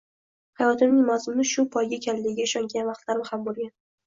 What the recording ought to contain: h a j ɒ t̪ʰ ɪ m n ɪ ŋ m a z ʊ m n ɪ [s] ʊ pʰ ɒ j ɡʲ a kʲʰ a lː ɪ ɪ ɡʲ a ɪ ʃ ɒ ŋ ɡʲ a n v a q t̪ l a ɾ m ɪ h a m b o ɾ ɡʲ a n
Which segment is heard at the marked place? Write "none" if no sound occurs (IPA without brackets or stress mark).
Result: ʃ